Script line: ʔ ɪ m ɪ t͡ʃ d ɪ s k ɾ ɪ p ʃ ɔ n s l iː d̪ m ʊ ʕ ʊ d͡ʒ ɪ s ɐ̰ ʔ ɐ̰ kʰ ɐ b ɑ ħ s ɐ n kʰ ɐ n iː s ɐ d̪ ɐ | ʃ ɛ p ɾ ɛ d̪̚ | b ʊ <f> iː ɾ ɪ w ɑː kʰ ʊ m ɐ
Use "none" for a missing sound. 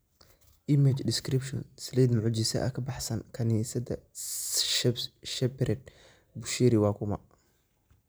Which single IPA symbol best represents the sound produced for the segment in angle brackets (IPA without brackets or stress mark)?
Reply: ʃ